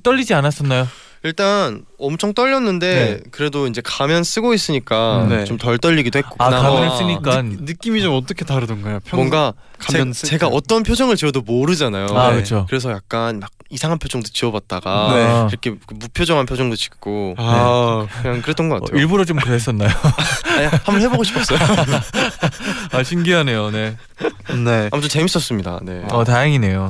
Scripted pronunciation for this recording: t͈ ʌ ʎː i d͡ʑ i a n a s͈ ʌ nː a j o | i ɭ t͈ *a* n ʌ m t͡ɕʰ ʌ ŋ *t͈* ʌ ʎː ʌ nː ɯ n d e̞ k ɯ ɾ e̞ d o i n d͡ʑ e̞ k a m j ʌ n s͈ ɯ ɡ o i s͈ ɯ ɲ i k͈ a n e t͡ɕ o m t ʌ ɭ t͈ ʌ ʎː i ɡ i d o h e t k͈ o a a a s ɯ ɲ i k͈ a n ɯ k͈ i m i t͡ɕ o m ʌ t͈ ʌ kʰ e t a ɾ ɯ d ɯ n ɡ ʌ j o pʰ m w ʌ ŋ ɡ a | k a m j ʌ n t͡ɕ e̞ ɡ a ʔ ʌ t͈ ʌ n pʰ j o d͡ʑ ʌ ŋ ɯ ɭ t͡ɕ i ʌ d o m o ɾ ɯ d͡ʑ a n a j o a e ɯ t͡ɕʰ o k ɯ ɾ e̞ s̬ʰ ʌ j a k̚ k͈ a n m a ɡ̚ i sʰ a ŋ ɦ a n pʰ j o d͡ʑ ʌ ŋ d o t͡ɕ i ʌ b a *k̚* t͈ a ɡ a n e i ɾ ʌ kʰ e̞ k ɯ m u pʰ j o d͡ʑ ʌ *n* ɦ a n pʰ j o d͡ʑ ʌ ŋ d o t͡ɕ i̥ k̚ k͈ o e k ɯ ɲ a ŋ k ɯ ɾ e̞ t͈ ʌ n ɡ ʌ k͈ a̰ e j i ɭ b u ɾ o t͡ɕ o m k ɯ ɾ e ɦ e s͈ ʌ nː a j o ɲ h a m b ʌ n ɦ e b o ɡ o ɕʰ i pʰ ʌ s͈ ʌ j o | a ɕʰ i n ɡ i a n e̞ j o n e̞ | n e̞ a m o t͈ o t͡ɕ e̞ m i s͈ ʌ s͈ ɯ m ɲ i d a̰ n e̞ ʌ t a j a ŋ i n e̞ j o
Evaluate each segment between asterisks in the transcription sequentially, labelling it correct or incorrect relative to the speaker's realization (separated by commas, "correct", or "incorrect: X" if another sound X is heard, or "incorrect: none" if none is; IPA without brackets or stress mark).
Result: correct, correct, incorrect: t̚, incorrect: ŋ